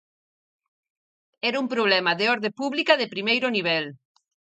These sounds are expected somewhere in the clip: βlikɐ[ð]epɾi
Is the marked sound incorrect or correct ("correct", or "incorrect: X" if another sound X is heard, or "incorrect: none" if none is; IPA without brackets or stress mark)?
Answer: correct